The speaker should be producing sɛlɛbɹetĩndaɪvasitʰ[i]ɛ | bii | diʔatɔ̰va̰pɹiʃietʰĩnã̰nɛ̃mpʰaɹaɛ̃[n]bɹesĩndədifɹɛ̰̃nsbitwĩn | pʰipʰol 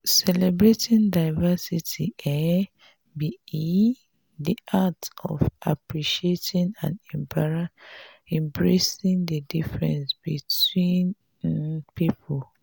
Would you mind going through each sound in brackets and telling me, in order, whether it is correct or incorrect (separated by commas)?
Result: correct, incorrect